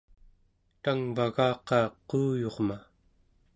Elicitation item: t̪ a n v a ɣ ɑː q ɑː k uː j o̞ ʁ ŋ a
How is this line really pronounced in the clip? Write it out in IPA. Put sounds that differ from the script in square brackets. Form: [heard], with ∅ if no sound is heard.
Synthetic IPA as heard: t̪ a [ŋ] v a ɣ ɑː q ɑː [q] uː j o̞ ʁ [m] a